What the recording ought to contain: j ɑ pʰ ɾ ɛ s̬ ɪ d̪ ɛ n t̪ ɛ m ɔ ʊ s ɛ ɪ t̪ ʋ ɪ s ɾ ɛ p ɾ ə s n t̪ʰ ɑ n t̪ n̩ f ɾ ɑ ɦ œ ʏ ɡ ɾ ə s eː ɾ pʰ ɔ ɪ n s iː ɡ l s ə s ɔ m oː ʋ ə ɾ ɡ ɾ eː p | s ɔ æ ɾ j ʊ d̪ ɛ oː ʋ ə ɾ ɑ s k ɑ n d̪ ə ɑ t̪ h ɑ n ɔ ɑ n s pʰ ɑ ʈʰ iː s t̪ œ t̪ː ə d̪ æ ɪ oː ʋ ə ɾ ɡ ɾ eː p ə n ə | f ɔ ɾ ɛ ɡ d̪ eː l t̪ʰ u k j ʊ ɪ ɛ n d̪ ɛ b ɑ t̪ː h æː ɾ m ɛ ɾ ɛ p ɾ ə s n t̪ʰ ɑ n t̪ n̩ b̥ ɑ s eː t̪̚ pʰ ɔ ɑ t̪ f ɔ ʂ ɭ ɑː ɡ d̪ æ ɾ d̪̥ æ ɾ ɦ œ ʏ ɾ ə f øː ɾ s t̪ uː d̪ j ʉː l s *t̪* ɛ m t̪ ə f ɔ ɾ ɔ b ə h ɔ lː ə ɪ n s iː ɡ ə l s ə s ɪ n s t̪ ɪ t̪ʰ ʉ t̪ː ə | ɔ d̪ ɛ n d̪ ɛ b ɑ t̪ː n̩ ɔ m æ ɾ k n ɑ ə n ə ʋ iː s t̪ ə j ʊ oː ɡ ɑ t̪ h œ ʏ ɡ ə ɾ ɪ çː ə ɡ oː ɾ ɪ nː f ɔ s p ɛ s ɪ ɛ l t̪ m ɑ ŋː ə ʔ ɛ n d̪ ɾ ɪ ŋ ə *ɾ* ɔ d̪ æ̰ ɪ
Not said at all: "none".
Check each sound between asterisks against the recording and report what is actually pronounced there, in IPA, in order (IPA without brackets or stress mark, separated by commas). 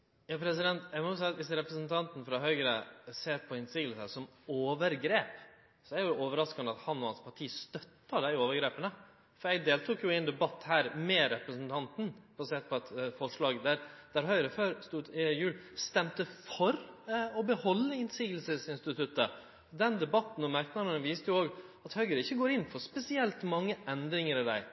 t̪, ɾ